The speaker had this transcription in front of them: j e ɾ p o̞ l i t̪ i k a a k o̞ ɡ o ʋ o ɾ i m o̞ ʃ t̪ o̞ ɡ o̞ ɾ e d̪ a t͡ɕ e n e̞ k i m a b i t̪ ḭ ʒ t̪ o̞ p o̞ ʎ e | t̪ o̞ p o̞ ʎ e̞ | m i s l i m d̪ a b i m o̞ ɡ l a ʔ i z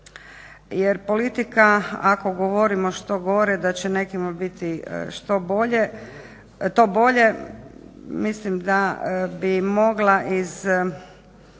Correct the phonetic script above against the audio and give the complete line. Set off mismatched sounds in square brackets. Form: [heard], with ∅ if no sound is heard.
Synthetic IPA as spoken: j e ɾ p o̞ l i t̪ i k a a k o̞ ɡ o ʋ o ɾ i m o̞ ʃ t̪ o̞ ɡ o̞ ɾ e d̪ a t͡ɕ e n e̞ k i m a b i t̪ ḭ [ʃ] t̪ o̞ [b] o̞ ʎ e | t̪ o̞ [b] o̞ ʎ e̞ | m i s l i m d̪ a b i m o̞ ɡ l a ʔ i z